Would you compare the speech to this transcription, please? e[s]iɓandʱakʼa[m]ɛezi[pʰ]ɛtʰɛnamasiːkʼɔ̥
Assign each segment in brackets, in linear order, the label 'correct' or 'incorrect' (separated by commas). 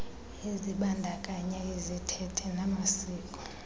incorrect, incorrect, incorrect